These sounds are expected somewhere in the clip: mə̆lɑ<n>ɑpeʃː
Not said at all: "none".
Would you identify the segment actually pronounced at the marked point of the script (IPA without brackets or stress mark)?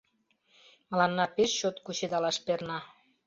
nː